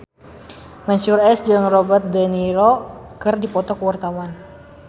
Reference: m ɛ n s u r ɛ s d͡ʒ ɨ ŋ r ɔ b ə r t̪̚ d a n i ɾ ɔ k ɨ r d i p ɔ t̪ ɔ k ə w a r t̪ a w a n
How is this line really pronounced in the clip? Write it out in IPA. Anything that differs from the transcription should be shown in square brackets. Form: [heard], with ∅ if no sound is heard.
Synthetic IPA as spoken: m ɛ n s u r ɛ s d͡ʒ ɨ ŋ r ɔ b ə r t̪̚ d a n i ɾ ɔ k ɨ r d i p ɔ t̪ ɔ k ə w a r t̪ a w a n